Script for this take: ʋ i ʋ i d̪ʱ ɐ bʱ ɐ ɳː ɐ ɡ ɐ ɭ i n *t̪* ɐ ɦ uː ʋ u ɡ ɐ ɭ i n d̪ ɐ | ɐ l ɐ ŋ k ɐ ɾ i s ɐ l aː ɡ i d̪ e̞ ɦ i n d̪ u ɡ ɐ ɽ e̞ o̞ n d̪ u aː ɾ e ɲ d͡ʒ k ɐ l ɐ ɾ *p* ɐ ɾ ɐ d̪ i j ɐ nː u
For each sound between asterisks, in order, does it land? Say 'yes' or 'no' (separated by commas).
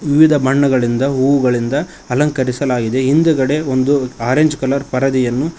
no, yes